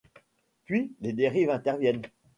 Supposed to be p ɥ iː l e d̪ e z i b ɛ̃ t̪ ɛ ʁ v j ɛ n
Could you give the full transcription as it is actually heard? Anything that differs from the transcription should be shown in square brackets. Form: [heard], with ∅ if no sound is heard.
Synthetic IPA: p ɥ [i] l e d̪ e [ʁ] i [v] ɛ̃ t̪ ɛ ʁ v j ɛ n